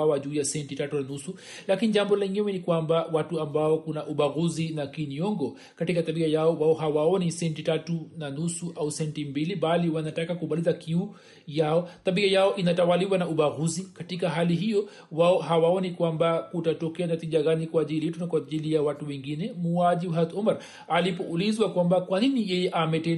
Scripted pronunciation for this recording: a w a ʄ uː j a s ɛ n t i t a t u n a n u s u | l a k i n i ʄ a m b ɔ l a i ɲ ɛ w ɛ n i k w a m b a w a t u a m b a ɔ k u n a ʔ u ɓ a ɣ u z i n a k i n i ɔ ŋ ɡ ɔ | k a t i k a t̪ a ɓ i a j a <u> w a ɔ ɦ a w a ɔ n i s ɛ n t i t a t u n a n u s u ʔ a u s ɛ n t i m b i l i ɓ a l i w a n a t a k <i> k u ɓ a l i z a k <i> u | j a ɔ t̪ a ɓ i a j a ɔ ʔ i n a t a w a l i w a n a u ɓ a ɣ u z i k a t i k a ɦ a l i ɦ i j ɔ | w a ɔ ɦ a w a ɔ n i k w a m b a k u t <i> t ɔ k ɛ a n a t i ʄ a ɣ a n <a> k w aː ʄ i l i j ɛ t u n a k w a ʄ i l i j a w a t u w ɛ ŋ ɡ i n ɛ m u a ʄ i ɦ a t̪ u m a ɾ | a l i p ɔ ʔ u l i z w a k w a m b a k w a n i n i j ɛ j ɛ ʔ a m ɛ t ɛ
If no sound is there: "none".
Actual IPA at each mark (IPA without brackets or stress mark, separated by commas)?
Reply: ɔ, a, i, a, i